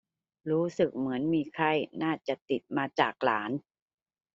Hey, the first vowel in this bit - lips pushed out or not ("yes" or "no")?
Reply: yes